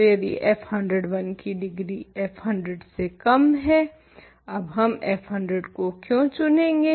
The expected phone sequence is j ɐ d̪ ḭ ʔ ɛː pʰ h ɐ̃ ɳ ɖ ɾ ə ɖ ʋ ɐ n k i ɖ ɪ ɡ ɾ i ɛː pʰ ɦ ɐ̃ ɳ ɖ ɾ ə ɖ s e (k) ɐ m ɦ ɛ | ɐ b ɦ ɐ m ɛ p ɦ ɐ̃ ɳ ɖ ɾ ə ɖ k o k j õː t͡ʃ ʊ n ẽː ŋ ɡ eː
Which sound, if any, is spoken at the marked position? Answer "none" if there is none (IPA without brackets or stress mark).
k